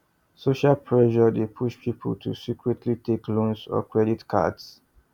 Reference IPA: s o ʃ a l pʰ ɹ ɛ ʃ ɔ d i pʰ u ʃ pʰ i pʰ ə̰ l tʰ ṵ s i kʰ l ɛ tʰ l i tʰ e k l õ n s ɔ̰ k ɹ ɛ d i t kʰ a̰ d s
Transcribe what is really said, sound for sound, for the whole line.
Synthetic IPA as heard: s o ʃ a l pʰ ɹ ɛ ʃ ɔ d e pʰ u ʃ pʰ i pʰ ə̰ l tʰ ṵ s i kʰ ɹ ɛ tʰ l i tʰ e k l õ n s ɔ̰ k ɹ ɛ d i t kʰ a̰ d s